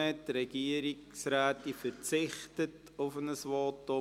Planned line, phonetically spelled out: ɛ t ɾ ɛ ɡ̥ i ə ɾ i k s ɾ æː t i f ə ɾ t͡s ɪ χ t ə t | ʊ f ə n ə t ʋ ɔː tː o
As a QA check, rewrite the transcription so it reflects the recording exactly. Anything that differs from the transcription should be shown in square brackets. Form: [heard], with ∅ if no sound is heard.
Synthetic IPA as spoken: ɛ t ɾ ɛ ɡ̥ i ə ɾ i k s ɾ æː t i f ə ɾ t͡s ɪ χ t ə t | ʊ f ə n ə [s] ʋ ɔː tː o